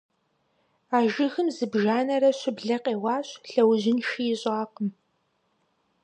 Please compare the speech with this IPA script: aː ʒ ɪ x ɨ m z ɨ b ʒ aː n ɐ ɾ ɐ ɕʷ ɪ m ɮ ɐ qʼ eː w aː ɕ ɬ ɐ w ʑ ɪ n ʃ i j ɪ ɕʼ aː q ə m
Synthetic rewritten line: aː ʒ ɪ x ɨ m z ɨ b ʒ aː n ɐ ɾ ɐ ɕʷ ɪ b ɮ ɐ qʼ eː w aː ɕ ɬ ɐ w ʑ ɪ n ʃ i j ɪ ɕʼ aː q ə m